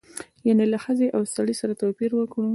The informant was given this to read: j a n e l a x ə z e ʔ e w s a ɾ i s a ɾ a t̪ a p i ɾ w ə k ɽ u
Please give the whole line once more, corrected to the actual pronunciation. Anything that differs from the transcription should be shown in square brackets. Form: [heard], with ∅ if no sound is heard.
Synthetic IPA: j a n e l a x ə z e ʔ [a] w s a [ɽ] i s a ɾ a t̪ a p i ɾ w ə k ɽ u